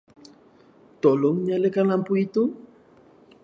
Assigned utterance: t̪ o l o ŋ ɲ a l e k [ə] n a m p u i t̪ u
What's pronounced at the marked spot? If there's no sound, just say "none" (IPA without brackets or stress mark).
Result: a